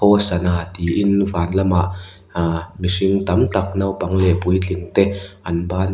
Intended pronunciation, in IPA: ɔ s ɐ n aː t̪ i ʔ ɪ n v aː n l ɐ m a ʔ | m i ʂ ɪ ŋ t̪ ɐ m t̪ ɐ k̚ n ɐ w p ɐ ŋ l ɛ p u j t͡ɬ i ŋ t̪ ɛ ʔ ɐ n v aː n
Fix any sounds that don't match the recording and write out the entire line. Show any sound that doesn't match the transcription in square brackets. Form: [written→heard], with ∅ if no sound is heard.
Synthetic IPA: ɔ s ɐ n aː t̪ i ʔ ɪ n v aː n l ɐ m a ʔ | m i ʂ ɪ ŋ t̪ ɐ m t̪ ɐ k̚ n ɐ w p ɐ ŋ l ɛ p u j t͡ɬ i ŋ t̪ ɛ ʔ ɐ n [v→b] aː n